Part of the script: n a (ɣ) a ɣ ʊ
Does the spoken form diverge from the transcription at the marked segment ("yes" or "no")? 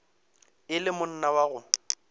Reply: yes